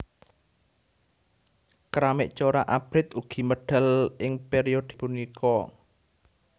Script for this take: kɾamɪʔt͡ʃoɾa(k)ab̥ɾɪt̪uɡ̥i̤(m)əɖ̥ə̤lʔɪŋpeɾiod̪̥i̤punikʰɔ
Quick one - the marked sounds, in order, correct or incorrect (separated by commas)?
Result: incorrect, correct